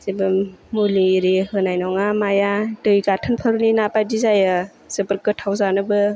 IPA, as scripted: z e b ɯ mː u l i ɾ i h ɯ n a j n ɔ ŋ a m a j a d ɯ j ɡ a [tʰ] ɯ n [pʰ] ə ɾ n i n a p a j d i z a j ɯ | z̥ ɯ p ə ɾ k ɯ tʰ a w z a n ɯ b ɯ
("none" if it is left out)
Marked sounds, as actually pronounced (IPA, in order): tʰ, pʰ

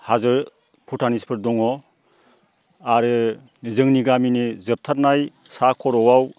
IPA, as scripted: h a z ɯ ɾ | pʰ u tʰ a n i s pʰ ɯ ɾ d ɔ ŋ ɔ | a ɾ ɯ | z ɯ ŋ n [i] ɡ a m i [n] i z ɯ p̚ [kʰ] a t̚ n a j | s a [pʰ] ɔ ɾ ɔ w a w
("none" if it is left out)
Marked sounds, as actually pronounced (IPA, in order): i, n, tʰ, kʰ

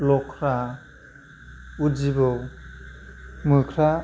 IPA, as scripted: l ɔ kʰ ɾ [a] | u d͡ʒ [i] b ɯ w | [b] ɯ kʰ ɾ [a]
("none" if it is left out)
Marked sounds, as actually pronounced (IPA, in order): a, i, m, a

